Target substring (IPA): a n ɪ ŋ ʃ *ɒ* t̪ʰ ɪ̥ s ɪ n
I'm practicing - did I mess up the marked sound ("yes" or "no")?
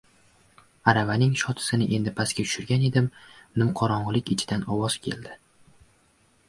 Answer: no